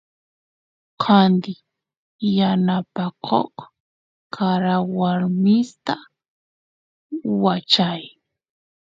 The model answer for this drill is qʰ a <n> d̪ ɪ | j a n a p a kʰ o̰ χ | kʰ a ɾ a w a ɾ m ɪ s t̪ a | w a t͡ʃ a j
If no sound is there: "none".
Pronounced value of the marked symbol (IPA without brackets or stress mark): n